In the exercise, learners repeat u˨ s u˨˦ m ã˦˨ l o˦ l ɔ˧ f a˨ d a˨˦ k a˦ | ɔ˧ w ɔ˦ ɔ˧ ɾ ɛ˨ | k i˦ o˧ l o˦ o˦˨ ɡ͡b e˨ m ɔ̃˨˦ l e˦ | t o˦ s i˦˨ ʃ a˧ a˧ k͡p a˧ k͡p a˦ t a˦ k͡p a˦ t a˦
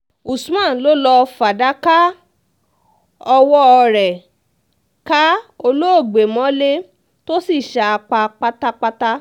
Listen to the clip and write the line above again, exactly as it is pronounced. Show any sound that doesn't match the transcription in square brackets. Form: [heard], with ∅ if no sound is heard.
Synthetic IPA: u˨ s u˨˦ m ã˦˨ l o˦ l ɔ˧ f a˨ d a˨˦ k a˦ | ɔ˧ w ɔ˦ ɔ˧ ɾ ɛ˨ | k [a˦] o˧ l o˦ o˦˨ ɡ͡b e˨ m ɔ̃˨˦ l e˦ | t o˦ s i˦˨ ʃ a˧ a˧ k͡p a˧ k͡p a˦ t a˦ k͡p a˦ t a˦